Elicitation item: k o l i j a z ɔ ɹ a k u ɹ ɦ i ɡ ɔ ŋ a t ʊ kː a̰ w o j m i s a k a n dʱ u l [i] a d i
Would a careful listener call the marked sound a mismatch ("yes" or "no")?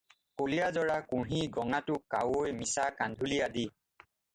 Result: no